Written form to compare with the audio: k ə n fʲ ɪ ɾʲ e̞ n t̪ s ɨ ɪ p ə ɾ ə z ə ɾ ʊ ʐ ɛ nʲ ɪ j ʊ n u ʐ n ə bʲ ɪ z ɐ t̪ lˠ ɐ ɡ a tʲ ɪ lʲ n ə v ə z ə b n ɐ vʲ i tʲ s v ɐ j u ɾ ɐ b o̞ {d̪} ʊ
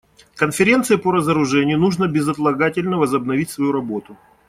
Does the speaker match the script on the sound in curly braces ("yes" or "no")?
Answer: no